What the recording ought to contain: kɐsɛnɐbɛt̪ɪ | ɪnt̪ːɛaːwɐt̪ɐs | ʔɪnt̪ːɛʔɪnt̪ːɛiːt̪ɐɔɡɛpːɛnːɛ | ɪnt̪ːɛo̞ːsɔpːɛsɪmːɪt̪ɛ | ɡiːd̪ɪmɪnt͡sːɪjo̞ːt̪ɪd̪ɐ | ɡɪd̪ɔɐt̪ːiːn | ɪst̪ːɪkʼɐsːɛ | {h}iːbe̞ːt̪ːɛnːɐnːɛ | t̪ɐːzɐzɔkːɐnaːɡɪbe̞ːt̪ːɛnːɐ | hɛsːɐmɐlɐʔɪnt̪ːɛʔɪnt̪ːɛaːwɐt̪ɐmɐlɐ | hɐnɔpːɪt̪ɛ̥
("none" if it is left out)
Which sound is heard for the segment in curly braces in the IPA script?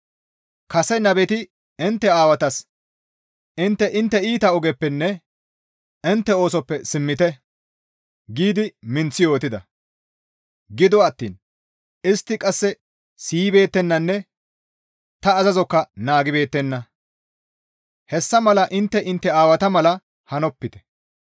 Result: s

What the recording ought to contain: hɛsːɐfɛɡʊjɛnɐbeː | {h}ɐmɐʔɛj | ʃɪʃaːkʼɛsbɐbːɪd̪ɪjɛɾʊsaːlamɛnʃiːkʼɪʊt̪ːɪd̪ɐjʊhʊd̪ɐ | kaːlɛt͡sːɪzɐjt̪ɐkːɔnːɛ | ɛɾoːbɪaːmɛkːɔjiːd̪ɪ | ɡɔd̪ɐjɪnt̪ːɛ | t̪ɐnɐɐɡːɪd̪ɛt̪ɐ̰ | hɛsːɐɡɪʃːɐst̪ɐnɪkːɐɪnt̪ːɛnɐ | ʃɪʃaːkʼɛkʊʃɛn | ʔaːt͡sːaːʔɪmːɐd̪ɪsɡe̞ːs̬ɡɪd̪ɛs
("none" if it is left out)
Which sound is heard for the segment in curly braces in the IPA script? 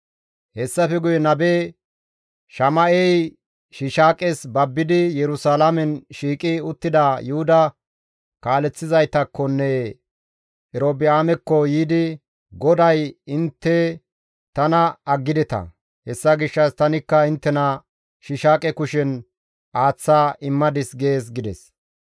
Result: ʃ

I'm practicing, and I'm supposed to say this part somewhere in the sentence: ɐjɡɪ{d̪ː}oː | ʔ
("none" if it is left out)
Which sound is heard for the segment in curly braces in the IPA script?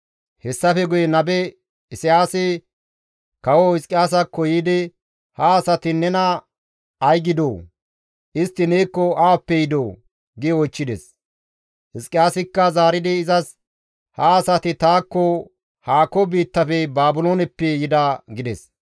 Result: d̪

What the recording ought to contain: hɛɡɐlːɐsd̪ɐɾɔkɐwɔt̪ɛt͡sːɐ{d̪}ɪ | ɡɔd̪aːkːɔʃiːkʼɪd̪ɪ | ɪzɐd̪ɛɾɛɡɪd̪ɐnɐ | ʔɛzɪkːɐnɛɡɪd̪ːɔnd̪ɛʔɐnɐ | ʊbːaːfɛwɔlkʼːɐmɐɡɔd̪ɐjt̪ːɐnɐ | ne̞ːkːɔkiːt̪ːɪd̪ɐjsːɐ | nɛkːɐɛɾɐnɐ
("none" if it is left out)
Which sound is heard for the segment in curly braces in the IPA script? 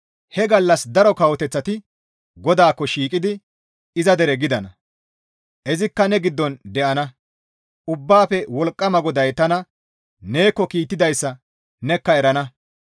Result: t̪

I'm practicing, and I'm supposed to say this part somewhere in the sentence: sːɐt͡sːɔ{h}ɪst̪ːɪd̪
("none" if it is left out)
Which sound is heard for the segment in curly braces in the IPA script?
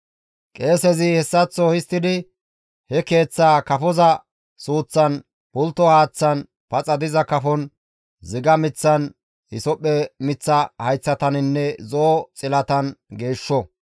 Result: h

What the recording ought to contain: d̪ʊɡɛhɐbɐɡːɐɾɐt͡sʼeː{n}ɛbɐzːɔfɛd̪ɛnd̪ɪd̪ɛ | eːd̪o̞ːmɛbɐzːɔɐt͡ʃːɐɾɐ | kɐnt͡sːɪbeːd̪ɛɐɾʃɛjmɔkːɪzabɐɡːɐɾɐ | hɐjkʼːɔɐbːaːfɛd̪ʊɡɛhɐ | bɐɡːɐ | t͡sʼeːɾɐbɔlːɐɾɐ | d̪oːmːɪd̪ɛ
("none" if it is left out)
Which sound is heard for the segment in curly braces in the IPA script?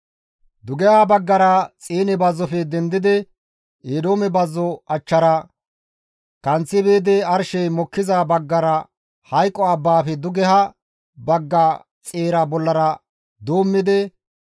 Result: n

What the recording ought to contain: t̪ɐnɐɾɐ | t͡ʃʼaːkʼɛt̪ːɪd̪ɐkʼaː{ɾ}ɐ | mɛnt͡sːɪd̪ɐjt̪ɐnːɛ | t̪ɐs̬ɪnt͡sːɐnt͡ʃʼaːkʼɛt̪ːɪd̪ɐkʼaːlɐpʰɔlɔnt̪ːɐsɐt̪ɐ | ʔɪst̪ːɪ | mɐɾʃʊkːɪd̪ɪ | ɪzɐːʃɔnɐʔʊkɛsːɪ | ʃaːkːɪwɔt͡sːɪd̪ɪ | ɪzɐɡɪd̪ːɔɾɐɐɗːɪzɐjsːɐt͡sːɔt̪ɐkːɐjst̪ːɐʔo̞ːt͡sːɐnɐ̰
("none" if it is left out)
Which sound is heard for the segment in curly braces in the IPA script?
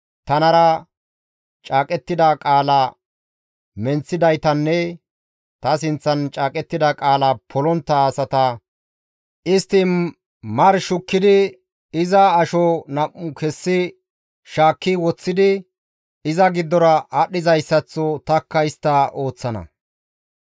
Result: l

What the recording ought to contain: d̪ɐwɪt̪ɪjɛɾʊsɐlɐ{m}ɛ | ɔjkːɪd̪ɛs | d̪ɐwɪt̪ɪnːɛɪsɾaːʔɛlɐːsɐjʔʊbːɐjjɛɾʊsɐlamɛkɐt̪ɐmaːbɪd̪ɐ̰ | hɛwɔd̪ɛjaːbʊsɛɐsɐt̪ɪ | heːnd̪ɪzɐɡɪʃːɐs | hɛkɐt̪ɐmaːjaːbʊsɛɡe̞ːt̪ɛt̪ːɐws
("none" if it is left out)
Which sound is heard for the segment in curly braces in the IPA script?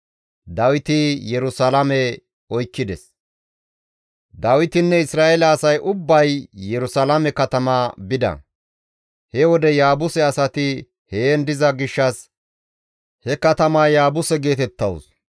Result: m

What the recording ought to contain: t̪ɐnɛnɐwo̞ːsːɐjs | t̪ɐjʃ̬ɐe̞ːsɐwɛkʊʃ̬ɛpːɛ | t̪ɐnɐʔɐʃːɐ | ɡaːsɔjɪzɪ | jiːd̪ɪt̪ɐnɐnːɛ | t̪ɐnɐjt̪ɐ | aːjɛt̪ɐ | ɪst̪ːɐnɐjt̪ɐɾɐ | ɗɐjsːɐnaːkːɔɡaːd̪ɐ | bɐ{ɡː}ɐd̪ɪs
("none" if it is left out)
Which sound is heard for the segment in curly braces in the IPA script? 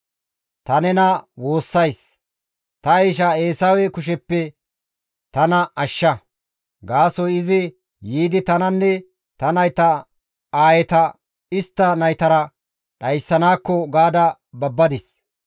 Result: bː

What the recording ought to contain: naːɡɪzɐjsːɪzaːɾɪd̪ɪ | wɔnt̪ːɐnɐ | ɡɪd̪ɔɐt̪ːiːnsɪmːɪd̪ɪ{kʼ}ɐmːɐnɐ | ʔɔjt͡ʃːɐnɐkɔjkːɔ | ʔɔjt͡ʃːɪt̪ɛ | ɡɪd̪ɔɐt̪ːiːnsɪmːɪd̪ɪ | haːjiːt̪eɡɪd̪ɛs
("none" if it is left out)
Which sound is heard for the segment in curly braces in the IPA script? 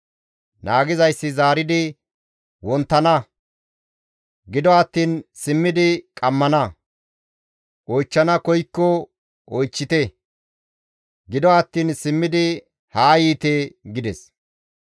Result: kʼ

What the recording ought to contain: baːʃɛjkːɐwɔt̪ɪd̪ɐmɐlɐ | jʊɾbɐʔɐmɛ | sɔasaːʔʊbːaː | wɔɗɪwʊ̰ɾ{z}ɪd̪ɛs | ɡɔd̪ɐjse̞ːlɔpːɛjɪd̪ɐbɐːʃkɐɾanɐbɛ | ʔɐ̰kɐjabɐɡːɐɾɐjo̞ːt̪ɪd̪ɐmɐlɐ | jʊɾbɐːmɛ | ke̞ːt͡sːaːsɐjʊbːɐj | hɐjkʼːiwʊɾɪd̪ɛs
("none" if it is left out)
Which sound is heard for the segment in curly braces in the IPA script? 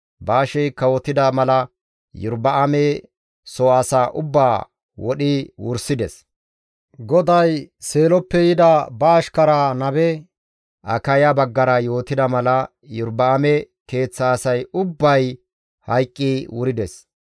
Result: s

